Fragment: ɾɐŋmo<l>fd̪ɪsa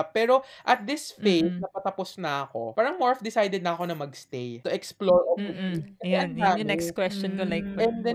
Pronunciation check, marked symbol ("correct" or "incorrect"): incorrect